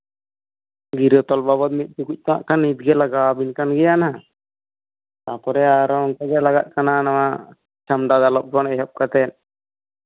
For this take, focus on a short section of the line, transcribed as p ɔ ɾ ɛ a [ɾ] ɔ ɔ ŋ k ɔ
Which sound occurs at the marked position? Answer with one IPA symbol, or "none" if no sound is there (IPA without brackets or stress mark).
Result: ɾ